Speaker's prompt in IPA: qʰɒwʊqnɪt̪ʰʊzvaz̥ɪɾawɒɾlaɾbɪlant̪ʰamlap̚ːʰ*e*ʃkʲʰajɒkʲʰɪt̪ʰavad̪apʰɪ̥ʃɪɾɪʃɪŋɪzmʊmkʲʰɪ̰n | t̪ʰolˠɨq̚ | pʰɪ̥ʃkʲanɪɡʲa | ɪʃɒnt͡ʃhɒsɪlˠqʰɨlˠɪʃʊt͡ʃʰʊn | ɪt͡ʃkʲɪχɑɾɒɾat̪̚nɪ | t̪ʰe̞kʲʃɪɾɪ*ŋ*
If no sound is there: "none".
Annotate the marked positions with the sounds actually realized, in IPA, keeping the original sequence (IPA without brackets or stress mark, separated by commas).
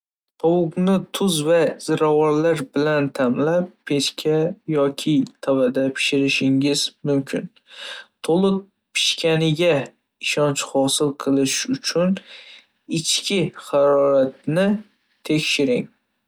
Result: e, ŋ